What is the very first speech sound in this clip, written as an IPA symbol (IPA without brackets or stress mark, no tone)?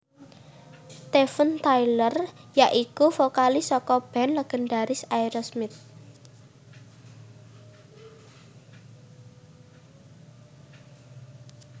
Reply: t̪